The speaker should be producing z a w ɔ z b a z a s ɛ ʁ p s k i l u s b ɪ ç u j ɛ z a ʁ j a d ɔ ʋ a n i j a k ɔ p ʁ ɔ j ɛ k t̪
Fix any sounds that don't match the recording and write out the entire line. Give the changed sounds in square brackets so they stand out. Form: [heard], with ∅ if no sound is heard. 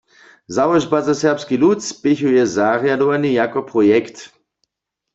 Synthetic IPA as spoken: z a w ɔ [ʒ] b a z a s ɛ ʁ p s k i l u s [p] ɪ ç u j ɛ z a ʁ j a d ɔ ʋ a n i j a k ɔ p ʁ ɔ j ɛ k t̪